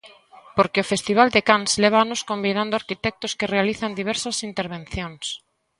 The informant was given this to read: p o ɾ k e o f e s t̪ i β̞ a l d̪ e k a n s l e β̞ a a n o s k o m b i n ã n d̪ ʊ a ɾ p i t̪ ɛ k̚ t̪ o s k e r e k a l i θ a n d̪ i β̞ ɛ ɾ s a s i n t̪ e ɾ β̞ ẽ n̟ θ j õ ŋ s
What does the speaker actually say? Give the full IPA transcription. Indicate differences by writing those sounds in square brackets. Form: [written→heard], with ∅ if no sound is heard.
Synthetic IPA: p o ɾ k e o f e s t̪ i β̞ a l d̪ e k a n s l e β̞ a a n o s k o m b i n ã n d̪ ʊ a ɾ [p→k] i t̪ ɛ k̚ t̪ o s k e r e [k→∅] a l i θ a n d̪ i β̞ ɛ ɾ s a s i n t̪ e ɾ β̞ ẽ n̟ θ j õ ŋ s